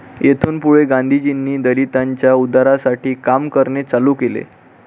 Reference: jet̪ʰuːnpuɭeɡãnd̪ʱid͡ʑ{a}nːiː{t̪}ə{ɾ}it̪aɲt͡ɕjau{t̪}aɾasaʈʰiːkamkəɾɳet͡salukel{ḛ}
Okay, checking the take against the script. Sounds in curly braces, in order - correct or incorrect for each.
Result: incorrect: i, incorrect: d̪, incorrect: l, incorrect: d̪, correct

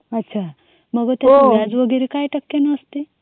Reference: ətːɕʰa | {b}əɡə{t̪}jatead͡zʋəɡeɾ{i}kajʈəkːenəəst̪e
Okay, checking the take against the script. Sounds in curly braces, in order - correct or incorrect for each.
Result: incorrect: m, correct, incorrect: e

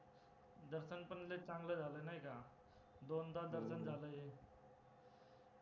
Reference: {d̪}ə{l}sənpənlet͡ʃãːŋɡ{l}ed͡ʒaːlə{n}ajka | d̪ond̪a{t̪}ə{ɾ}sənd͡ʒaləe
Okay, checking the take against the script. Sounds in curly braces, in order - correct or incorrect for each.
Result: correct, incorrect: ɾ, correct, correct, incorrect: d̪, correct

